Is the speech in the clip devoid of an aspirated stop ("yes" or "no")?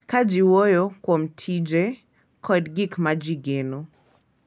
no